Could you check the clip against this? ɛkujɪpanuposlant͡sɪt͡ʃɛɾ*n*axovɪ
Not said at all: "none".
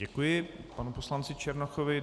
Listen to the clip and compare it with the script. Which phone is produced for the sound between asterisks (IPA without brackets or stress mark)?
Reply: n